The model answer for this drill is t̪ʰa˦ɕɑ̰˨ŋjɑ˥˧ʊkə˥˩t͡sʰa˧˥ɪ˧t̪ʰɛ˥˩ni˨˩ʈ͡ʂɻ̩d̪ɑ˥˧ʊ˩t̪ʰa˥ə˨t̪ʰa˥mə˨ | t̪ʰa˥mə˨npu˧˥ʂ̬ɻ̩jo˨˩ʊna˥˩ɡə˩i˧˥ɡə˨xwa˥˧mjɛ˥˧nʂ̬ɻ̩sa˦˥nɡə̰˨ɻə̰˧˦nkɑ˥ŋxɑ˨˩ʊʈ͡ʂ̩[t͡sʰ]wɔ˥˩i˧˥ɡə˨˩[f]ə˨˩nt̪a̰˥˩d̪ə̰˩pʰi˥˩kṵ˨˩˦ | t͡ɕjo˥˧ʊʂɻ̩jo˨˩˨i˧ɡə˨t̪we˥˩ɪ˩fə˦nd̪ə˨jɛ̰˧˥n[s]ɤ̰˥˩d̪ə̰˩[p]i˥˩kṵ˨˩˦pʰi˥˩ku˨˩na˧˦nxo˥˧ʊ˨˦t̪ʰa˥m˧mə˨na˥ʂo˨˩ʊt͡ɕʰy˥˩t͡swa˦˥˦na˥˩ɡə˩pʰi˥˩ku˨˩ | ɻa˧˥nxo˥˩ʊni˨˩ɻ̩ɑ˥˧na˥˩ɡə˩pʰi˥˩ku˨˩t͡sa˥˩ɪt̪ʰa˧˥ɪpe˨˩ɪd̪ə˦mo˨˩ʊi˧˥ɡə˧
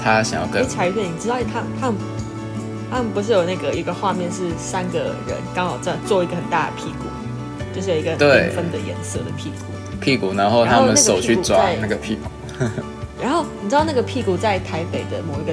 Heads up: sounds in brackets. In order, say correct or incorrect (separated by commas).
incorrect, incorrect, correct, incorrect